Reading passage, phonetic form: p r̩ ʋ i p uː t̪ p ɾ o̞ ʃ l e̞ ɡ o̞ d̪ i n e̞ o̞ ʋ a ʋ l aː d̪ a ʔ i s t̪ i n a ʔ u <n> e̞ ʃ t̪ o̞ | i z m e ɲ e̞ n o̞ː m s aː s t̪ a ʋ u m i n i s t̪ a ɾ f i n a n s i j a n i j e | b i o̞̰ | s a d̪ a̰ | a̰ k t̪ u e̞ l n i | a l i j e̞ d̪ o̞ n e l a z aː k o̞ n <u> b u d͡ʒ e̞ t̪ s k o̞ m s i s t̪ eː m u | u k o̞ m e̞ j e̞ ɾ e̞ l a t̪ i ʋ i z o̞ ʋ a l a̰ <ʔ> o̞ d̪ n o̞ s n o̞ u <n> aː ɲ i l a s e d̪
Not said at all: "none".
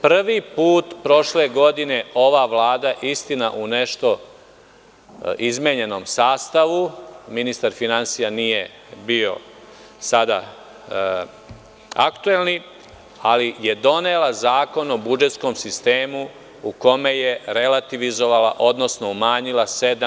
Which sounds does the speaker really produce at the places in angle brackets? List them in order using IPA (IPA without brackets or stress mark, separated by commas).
n, o, ʔ, m